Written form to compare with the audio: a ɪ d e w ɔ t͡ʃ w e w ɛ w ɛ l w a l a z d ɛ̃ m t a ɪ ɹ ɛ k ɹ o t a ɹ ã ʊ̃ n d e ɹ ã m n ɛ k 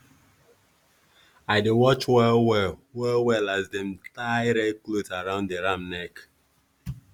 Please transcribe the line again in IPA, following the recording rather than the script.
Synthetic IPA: a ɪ d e w ɔ t͡ʃ w ɛ w ɛ w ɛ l w ɛ l a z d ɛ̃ m t a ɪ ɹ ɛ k l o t a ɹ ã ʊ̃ n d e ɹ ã m n ɛ k